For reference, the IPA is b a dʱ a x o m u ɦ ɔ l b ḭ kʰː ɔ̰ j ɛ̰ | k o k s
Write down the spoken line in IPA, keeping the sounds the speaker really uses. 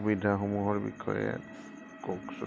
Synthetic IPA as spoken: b i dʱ a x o m u ɦ ɔ ɹ b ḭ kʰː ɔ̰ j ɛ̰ | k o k s